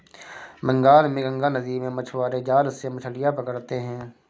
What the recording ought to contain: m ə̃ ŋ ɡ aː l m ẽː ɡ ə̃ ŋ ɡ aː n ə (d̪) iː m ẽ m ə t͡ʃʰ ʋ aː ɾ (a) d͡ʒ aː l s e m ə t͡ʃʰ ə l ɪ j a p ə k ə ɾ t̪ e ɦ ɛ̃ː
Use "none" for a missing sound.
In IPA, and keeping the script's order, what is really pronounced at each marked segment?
d̪, e

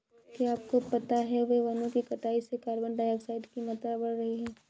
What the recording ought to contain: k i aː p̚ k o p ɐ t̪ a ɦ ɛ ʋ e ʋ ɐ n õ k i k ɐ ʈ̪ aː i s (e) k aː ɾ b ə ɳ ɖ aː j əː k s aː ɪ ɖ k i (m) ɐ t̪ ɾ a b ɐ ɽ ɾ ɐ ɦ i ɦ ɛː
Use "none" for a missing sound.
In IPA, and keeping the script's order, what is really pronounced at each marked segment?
e, m

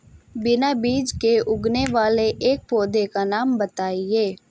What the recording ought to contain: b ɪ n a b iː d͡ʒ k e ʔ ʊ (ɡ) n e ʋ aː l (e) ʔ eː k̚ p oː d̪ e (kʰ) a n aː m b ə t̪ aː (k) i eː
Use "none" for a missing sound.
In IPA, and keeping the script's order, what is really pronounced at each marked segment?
ɡ, e, k, none

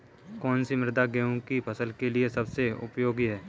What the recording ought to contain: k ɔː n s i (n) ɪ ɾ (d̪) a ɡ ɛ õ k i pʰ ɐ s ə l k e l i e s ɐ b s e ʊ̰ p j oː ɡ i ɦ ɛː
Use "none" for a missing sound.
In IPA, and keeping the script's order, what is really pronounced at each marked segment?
m, d̪

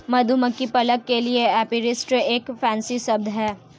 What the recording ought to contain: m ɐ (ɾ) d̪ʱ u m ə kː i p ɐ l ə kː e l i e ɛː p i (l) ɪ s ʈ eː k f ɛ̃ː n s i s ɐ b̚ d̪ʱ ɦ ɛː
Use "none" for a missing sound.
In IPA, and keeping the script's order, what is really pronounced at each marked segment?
none, ɾ

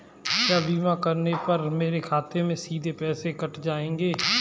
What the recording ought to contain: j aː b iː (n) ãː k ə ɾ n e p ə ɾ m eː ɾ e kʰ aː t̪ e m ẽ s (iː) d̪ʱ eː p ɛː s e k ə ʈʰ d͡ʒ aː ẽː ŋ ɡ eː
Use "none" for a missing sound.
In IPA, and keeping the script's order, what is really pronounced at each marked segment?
m, iː

